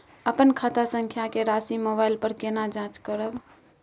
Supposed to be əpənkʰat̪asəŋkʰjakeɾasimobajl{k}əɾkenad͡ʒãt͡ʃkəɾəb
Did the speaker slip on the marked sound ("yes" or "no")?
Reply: yes